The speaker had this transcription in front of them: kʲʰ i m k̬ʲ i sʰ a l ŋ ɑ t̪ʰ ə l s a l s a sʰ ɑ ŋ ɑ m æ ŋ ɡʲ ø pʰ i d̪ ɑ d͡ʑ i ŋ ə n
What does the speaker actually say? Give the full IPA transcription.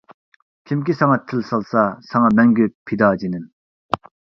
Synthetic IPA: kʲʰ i m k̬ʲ i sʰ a ŋ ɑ t̪ʰ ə l s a l s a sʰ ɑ ŋ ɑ m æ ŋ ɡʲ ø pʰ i d̪ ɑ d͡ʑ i n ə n